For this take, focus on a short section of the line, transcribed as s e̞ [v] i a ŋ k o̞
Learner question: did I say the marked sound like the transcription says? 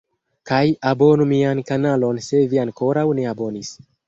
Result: yes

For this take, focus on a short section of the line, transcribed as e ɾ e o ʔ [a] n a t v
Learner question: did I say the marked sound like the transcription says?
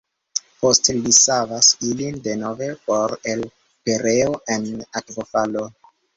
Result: no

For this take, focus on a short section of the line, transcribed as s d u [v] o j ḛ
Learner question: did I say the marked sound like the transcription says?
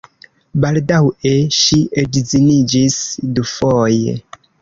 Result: no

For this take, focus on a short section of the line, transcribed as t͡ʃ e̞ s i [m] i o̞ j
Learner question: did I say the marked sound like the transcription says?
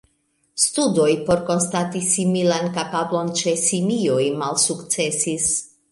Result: yes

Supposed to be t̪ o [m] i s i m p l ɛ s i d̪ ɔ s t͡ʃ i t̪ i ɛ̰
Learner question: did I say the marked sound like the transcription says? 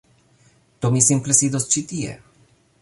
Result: yes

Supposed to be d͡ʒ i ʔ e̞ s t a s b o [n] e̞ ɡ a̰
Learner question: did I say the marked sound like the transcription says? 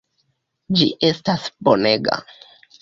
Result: yes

